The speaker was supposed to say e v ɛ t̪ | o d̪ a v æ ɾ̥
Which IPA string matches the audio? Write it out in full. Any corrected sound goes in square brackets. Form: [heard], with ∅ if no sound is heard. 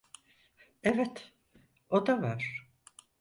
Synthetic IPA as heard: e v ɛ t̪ | o d̪ a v [a] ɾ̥